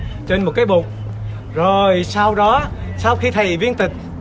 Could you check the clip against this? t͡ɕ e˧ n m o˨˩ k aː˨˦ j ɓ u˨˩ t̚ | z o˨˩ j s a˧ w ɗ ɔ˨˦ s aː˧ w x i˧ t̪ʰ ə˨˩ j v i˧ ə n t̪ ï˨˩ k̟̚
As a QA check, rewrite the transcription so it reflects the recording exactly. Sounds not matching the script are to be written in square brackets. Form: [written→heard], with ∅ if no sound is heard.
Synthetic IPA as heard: t͡ɕ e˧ n m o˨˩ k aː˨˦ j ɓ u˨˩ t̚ | z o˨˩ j s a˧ w ɗ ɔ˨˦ s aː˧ w x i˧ t̪ʰ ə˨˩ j v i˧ ə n t̪ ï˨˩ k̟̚